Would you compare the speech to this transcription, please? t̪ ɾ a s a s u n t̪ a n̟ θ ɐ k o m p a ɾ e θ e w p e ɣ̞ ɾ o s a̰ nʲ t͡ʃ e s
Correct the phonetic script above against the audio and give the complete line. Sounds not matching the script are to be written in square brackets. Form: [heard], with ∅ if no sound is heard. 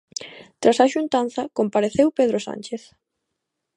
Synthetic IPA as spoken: t̪ ɾ a s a [ʃ] u n t̪ a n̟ θ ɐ k o m p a ɾ e θ e w p e [ð̞] ɾ o s a̰ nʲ t͡ʃ e [θ]